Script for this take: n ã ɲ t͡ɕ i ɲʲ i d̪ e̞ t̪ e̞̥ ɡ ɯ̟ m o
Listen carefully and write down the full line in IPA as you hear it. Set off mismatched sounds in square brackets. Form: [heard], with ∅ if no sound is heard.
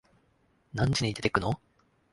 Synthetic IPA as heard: n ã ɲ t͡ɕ i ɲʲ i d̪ e̞ t̪ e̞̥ [k] ɯ̟ [n] o